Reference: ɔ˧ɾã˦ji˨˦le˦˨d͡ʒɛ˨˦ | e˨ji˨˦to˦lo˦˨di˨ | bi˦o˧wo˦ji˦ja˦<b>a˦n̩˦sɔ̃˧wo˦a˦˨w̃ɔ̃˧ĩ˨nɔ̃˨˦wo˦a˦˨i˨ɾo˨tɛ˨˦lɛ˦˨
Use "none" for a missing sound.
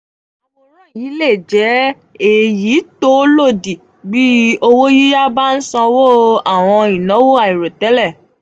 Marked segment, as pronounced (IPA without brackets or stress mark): b